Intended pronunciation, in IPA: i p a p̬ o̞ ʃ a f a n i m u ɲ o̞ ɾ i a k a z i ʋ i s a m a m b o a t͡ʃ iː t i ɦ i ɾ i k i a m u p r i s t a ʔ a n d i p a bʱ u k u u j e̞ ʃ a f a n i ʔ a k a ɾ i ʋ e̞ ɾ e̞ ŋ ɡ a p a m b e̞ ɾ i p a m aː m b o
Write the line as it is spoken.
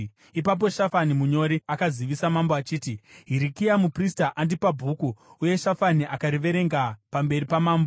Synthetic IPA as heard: i p a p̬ o̞ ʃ a f a n i m u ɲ o̞ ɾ i a k a z i ʋ i s a m a m b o a t͡ʃ iː t i ɦ i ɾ i k i a m u p r i s t a ʔ a n d i p a bʱ u k u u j e̞ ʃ a f a n i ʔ a k a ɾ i ʋ e̞ ɾ e̞ ŋ ɡ a p a m b e̞ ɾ i p a m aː m b o

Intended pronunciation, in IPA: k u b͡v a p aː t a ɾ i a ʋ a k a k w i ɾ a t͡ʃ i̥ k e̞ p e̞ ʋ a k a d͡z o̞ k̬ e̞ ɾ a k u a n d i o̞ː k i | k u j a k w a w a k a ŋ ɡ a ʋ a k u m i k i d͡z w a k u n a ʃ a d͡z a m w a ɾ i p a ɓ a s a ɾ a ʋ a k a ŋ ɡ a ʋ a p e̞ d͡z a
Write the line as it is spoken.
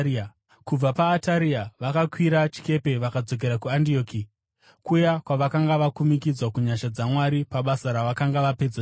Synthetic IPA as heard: k u b͡v a p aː t a ɾ i a ʋ a k a k w i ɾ a t͡ʃ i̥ k e̞ p e̞ ʋ a k a d͡z o̞ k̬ e̞ ɾ a k u a n d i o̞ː k i | k u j a k w a ʋ a k a ŋ ɡ a ʋ a k u m i k i d͡z w a k u ɲ a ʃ a d͡z a m w a ɾ i p a ɓ a s a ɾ a ʋ a k a ŋ ɡ a ʋ a p e̞ d͡z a

